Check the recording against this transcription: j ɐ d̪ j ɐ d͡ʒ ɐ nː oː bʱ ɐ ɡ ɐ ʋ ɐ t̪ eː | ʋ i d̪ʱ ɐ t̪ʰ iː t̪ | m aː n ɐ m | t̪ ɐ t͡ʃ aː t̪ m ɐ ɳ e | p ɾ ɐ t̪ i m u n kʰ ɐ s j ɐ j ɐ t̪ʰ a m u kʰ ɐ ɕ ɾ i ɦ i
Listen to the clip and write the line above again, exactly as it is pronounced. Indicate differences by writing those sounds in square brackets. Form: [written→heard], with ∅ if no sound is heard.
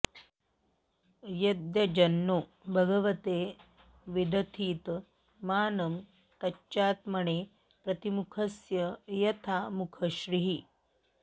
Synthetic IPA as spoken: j ɐ d̪ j ɐ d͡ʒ ɐ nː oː bʱ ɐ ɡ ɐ ʋ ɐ t̪ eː | ʋ i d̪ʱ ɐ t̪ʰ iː t̪ | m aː n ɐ m | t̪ ɐ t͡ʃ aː t̪ m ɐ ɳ e | p ɾ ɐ t̪ i m u [n→∅] kʰ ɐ s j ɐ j ɐ t̪ʰ a m u kʰ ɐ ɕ ɾ i ɦ i